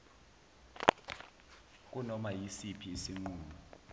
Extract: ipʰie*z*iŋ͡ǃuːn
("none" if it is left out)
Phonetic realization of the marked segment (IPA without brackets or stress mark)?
s